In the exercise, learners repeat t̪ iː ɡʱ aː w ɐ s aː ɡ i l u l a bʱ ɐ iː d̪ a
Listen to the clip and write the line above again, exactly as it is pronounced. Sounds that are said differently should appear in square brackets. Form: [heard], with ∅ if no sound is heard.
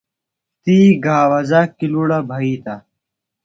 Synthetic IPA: t̪ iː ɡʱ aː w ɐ [z] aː [k] i l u [ɽ] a bʱ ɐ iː [t̪] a

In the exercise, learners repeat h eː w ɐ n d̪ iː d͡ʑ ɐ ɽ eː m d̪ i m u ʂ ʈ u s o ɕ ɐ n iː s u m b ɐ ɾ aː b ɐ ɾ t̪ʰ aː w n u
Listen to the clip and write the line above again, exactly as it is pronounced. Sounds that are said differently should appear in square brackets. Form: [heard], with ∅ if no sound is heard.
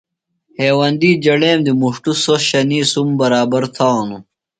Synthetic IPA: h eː w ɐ n d̪ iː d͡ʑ ɐ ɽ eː m d̪ i m u ʂ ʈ u s o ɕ ɐ n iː s u m b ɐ ɾ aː b ɐ ɾ t̪ʰ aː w n u

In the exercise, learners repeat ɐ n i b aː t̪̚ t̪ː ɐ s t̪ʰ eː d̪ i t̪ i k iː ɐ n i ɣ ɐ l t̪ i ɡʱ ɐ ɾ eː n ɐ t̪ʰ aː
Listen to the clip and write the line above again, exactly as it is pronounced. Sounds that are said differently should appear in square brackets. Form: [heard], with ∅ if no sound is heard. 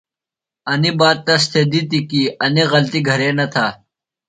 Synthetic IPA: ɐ n i b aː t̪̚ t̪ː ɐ s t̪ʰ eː d̪ i t̪ i k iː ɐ n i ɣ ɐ l t̪ i ɡʱ ɐ ɾ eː n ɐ t̪ʰ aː

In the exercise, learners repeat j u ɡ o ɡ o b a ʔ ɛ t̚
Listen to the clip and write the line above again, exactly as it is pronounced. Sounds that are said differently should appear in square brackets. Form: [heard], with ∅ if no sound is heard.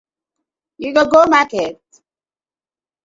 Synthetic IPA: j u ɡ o ɡ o [m] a [k] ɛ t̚

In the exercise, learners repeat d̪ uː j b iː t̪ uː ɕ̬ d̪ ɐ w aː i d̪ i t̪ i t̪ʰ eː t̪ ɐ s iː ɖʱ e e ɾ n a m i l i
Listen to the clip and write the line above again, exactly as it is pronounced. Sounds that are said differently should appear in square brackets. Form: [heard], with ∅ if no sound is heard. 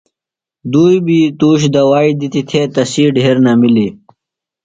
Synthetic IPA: d̪ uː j b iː t̪ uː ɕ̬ d̪ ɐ w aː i d̪ i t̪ i t̪ʰ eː t̪ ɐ s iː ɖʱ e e ɾ n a m i l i

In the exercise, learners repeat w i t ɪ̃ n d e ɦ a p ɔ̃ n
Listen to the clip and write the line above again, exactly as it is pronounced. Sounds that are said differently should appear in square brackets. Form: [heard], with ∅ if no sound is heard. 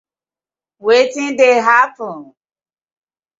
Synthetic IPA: w [e] t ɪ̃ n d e ɦ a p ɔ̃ n

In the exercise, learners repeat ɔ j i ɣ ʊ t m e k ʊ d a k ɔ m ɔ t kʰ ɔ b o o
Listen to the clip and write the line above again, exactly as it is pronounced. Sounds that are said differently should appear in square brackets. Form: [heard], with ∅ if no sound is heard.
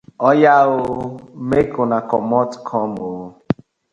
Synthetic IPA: ɔ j [a] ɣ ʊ [∅] m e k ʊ [n] a k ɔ m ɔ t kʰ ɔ [m] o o

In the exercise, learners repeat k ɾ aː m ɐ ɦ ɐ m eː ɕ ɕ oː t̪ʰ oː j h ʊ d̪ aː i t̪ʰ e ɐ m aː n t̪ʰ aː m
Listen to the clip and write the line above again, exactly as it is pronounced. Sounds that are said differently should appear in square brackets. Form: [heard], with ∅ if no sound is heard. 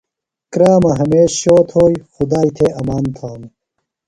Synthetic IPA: k ɾ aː m ɐ ɦ ɐ m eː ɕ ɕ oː t̪ʰ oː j [x] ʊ d̪ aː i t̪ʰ e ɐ m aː n t̪ʰ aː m

